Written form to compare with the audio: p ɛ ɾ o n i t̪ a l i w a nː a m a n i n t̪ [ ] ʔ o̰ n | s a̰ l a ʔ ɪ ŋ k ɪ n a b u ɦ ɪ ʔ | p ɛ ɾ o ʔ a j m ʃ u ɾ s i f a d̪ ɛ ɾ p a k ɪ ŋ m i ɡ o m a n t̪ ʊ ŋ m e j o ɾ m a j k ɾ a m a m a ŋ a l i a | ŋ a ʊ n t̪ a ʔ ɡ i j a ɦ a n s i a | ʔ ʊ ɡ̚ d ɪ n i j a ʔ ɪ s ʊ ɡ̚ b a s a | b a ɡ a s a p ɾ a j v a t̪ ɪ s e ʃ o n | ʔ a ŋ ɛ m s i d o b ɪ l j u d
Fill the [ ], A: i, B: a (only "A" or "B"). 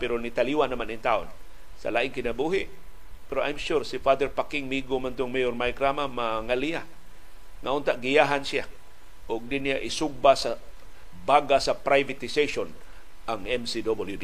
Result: B